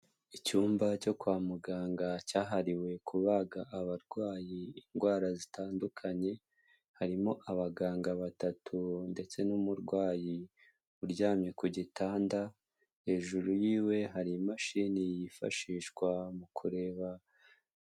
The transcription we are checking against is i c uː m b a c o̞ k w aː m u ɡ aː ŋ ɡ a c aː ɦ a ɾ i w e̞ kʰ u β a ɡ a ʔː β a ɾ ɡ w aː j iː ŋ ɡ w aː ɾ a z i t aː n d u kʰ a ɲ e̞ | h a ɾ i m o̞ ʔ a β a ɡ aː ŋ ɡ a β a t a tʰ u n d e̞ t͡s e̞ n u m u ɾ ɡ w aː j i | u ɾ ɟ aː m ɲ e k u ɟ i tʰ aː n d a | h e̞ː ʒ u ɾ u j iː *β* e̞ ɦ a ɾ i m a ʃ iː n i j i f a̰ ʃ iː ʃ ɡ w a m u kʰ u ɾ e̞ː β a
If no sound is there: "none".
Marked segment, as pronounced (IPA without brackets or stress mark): w